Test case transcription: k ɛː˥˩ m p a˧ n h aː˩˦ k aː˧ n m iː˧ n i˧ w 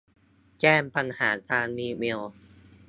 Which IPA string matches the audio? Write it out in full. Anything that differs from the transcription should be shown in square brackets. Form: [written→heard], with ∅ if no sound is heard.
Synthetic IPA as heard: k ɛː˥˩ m p a˧ n h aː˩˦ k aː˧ n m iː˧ [n→m] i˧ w